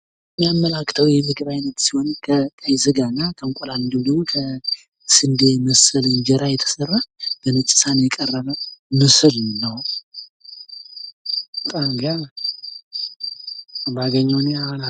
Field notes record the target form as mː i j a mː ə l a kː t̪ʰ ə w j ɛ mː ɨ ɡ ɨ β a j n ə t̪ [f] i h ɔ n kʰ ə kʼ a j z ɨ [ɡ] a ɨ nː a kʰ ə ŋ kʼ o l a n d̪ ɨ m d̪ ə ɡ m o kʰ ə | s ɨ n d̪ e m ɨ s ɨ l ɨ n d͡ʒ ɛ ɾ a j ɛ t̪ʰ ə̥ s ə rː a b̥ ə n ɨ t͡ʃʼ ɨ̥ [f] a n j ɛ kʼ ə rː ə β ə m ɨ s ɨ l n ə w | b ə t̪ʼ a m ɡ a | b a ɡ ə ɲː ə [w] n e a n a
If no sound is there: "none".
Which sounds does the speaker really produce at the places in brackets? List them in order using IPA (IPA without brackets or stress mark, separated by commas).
s, ɡ, s, w